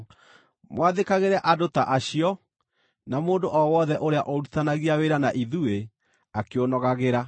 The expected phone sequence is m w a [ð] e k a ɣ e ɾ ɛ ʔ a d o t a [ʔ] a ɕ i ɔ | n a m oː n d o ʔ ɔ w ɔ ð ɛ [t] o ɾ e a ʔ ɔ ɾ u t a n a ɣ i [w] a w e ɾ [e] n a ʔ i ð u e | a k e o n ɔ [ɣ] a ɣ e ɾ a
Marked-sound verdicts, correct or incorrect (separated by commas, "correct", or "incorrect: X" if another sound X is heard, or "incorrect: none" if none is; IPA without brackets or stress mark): correct, correct, incorrect: ʔ, incorrect: none, incorrect: a, correct